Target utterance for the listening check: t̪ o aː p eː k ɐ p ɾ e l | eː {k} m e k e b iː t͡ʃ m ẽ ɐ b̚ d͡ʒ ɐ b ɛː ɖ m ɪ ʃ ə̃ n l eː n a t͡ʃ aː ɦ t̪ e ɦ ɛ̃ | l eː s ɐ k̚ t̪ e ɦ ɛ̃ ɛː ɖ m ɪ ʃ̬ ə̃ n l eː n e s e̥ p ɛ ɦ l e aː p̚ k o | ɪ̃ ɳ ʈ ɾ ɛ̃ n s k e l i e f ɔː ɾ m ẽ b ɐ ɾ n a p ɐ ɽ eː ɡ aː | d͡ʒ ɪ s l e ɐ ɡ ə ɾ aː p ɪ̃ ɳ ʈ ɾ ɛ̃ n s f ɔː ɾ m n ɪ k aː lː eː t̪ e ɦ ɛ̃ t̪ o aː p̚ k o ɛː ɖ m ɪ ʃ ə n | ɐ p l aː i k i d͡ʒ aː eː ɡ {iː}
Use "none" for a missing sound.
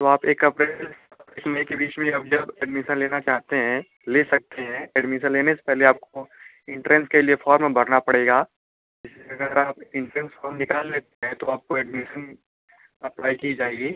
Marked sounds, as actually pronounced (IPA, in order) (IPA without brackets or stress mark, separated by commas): k, iː